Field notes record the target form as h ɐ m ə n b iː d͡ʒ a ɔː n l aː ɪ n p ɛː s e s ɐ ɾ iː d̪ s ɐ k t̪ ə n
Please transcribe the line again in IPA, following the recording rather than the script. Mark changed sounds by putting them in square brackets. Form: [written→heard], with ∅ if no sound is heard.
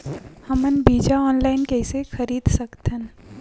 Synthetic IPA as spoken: h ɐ m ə n b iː d͡ʒ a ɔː n l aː ɪ n [p→k] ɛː s e [s→x] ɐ ɾ iː d̪ s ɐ k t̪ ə n